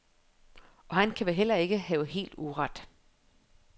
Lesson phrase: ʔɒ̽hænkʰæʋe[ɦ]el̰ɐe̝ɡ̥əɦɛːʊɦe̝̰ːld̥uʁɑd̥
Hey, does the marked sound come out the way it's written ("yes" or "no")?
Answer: yes